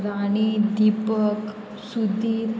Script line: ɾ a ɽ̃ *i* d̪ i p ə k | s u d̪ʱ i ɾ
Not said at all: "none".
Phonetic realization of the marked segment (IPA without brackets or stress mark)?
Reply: i